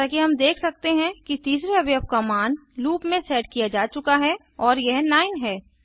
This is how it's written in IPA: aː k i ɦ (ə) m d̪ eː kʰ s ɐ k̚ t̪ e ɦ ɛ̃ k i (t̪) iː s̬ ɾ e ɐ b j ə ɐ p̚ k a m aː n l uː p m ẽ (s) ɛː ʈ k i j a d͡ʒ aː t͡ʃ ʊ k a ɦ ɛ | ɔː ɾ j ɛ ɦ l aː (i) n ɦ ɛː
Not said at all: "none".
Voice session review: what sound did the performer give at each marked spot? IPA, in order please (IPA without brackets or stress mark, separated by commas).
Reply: ɐ, t̪, s, ɪ